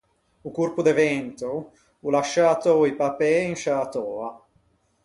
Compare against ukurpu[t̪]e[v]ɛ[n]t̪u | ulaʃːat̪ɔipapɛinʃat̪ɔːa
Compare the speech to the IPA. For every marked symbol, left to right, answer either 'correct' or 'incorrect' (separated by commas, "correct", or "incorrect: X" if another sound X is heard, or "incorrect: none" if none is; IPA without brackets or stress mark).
incorrect: d̪, correct, correct